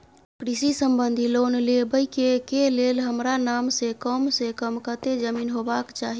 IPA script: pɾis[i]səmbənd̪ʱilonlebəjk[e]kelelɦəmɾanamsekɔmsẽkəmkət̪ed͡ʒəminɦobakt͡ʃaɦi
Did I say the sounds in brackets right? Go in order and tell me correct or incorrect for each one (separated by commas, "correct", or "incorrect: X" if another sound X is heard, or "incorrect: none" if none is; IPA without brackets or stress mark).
correct, correct